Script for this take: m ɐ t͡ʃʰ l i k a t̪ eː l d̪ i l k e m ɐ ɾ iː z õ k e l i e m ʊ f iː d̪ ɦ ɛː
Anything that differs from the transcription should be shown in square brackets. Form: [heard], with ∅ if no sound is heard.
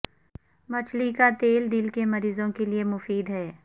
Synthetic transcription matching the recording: m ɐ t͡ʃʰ l i k a t̪ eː l d̪ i l k e m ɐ ɾ iː z õ k e l i e m ʊ f iː d̪ ɦ ɛː